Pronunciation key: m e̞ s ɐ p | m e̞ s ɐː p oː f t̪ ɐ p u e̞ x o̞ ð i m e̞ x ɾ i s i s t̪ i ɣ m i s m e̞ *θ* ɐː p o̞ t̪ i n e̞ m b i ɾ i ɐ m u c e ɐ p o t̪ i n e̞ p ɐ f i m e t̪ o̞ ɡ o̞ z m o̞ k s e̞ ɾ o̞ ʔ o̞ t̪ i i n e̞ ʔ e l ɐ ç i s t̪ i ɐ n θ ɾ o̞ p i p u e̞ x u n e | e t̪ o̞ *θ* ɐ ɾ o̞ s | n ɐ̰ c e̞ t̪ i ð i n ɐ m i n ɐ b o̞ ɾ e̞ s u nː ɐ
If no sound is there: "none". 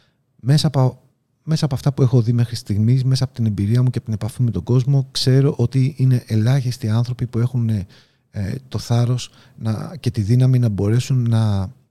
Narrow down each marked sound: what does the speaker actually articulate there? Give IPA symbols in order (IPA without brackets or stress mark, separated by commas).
s, θ